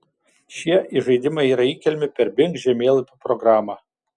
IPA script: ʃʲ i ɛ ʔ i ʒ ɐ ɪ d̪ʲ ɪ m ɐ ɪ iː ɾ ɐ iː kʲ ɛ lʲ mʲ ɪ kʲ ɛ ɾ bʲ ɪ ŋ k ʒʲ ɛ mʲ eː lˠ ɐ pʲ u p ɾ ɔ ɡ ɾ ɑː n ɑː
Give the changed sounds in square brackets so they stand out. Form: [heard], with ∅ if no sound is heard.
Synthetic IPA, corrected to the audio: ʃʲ i ɛ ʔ i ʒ ɐ ɪ d̪ʲ ɪ m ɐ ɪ iː ɾ ɐ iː kʲ ɛ lʲ mʲ ɪ [pʲ] ɛ ɾ bʲ ɪ ŋ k ʒʲ ɛ mʲ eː lˠ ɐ pʲ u p ɾ ɔ ɡ ɾ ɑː [m] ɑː